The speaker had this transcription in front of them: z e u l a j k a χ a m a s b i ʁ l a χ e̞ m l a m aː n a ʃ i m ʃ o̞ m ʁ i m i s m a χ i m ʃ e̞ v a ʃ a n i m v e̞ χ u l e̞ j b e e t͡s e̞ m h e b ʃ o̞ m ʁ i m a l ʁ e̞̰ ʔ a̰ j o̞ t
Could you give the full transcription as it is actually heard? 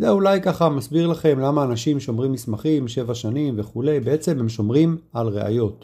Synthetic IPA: z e u l a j k a χ a m a s b i ʁ l a χ e̞ m l a m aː n a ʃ i m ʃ o̞ m ʁ i m i s m a χ i m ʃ e̞ v a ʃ a n i m v e̞ χ u l e̞ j b e e t͡s e̞ m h e m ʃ o̞ m ʁ i m a l ʁ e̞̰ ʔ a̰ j o̞ t